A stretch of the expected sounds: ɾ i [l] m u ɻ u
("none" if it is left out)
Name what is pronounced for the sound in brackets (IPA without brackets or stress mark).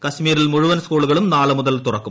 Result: l